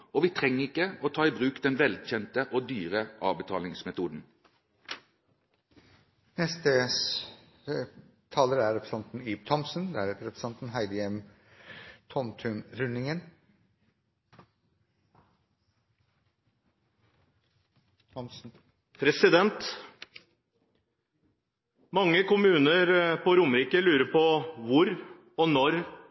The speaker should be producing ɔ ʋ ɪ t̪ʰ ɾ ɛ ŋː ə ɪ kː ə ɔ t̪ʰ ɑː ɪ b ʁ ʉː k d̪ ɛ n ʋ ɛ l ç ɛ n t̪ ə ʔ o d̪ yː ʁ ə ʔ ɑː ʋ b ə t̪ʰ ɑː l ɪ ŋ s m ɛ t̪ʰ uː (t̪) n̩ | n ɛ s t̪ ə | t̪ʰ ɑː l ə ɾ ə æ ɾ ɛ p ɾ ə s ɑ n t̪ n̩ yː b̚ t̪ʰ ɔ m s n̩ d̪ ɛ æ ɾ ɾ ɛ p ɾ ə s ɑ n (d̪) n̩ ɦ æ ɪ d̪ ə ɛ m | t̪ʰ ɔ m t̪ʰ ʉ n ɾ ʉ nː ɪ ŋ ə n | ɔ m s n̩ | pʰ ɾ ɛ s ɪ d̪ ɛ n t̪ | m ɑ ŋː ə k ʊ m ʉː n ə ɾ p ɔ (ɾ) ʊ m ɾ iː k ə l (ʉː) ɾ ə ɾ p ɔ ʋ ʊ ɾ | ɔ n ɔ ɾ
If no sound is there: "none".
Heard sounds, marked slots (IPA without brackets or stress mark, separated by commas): d̪, t̪, ɾ, ʉː